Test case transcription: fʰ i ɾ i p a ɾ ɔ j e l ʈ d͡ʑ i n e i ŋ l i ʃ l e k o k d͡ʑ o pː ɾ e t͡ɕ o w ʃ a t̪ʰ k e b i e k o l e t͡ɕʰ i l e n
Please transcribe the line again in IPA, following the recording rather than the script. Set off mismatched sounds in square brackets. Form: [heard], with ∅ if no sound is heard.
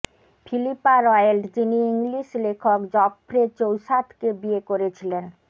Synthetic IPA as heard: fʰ i [l] i p a ɾ ɔ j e l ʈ d͡ʑ i n [i] i ŋ l i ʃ l e [kʰ] o k d͡ʑ [ɔ] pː ɾ e t͡ɕ o w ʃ a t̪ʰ k e b i e k o [ɾ] e t͡ɕʰ i l e n